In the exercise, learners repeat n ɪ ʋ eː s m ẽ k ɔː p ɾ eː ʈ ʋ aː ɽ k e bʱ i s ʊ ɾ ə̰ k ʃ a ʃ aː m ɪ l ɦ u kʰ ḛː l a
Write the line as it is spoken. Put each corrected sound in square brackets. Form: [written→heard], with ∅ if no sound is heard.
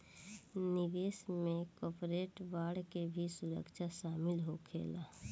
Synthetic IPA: n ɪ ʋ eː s m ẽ k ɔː p ɾ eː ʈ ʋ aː ɽ k e bʱ i s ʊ ɾ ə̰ k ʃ a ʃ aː m ɪ l ɦ [u→o] kʰ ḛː l a